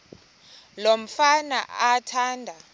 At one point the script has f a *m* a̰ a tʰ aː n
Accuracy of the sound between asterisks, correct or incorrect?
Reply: incorrect